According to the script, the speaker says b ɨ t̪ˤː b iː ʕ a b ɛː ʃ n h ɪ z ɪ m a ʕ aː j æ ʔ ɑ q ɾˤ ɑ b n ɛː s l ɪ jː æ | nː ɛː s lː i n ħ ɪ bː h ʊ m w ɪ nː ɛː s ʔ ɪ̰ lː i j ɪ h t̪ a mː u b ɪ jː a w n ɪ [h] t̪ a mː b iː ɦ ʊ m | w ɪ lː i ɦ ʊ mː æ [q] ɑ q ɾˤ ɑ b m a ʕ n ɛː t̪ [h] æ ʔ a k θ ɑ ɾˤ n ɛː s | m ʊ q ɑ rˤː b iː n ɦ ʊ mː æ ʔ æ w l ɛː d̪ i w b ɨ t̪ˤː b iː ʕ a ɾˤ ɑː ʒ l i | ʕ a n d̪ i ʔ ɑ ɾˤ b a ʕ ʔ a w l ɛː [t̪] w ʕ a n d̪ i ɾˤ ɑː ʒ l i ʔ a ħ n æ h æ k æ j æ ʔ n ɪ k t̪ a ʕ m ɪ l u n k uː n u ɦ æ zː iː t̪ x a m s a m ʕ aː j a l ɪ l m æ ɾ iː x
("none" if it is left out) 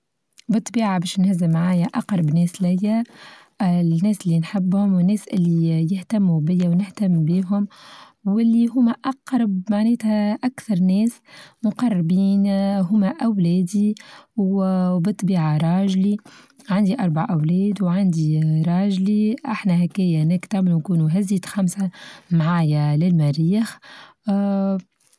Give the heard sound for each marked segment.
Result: h, ʔ, h, d̪

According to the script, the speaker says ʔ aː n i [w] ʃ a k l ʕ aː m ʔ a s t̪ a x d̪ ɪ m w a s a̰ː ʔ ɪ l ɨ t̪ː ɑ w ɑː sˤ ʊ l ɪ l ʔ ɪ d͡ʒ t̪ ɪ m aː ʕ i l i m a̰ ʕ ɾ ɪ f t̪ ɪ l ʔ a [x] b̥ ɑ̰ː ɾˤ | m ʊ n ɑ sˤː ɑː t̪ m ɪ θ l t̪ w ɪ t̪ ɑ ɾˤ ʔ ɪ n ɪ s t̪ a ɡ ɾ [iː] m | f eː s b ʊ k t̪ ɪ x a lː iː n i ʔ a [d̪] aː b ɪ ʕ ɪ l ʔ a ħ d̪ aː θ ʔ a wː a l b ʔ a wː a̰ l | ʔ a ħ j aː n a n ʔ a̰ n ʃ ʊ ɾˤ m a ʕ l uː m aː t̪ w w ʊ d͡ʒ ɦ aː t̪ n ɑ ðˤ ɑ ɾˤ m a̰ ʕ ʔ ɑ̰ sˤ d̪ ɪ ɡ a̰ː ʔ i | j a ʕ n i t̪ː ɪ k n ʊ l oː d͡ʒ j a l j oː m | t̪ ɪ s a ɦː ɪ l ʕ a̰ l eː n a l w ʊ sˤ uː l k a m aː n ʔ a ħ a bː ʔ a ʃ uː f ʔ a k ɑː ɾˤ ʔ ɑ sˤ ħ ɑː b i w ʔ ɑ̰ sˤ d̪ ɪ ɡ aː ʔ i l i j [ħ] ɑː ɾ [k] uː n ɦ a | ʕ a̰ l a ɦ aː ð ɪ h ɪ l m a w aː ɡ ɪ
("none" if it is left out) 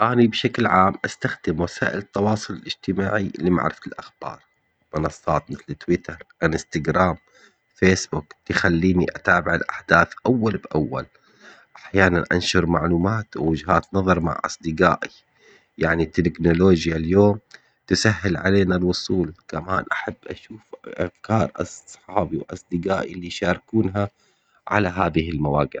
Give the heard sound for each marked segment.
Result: b, x, aː, t̪, ʃ, k

